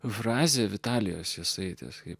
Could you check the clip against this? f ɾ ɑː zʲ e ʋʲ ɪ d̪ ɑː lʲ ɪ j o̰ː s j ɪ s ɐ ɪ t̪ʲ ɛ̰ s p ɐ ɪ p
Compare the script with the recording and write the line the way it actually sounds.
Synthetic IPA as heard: f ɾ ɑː zʲ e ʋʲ ɪ t̪ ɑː lʲ ɪ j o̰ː s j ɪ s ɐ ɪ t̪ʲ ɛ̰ s k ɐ ɪ p